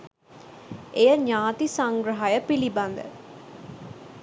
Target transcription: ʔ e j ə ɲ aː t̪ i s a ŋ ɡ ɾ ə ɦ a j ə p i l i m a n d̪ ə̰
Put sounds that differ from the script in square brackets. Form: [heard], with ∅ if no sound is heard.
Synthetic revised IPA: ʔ e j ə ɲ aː t̪ i s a ŋ ɡ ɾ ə ɦ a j ə p i l i [b] a n d̪ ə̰